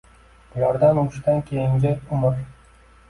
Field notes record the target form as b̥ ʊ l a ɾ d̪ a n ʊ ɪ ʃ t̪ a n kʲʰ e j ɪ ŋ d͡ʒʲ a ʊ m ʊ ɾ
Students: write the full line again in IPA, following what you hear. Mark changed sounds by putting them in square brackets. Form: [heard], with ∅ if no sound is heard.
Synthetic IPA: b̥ ʊ l a ɾ d̪ a n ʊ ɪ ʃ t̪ a n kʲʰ e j ɪ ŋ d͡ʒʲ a ʊ m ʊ ɾ